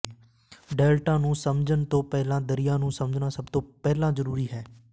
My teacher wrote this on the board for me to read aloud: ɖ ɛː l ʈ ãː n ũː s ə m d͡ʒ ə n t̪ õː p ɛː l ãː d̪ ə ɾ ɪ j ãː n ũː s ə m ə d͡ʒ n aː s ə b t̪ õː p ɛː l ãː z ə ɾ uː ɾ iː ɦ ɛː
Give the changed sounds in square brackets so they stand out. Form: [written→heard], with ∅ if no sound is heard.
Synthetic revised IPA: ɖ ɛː l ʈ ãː n ũː s ə m d͡ʒ ə n t̪ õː p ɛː l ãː d̪ ə ɾ ɪ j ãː n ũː s ə m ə d͡ʒ n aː s ə b t̪ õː p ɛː l ãː z ə ɾ uː ɾ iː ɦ ɛː